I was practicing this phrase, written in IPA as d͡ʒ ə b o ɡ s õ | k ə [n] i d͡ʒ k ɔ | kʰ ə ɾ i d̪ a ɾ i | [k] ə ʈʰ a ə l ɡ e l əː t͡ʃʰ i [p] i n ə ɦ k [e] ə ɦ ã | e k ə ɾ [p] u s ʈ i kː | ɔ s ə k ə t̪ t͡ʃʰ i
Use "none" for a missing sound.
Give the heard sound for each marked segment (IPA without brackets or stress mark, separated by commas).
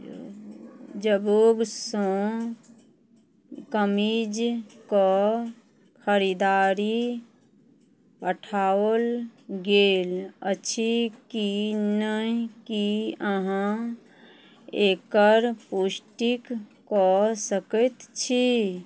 m, p, k, i, p